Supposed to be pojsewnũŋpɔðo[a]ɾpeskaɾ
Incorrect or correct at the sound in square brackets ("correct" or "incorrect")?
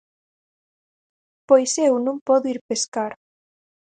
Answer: incorrect